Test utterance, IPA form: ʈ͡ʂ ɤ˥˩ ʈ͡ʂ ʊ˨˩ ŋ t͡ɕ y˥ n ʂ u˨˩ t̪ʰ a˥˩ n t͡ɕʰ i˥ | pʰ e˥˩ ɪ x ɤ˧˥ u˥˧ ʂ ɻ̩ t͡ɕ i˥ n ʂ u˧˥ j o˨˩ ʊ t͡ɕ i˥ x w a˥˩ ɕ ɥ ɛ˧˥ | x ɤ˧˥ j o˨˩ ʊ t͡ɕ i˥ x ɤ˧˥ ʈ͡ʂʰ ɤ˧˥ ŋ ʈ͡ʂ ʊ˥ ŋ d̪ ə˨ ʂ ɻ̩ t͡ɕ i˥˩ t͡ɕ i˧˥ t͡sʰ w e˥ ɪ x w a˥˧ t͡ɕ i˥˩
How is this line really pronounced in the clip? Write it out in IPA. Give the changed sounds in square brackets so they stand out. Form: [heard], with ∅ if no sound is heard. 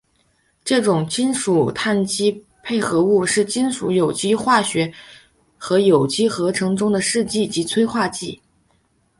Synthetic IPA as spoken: ʈ͡ʂ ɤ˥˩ ʈ͡ʂ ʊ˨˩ ŋ t͡ɕ [i˥] n ʂ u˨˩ t̪ʰ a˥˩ n [t͡ɕ] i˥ | pʰ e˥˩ ɪ x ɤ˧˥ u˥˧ ʂ ɻ̩ t͡ɕ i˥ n ʂ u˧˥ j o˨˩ ʊ t͡ɕ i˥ x w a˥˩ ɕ ɥ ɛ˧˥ | x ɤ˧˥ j o˨˩ ʊ t͡ɕ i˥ x ɤ˧˥ ʈ͡ʂʰ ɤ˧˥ ŋ ʈ͡ʂ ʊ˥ ŋ d̪ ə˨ ʂ ɻ̩ t͡ɕ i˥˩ t͡ɕ i˧˥ t͡sʰ w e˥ ɪ x w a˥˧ t͡ɕ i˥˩